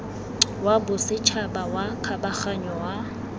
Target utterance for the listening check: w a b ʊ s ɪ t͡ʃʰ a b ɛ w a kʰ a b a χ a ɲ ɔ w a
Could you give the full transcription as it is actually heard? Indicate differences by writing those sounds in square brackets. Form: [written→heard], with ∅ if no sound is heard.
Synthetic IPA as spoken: w a b ʊ s ɪ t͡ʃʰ a b [ɛ→a] w a kʰ a b a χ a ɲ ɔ w a